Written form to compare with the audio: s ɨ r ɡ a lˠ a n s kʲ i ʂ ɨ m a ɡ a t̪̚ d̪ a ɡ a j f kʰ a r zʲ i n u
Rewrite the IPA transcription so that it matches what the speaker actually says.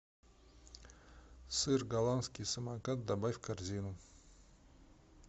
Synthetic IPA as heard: s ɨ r ɡ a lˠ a n s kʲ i s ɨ m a k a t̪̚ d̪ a b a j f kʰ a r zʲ i n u